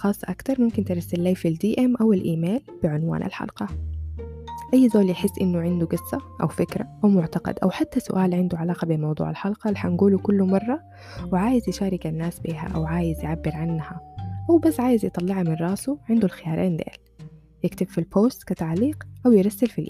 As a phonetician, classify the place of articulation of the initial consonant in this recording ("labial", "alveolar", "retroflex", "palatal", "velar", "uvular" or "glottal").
velar